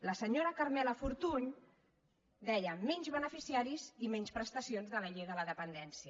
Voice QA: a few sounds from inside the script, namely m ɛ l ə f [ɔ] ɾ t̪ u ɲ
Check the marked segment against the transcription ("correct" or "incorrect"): incorrect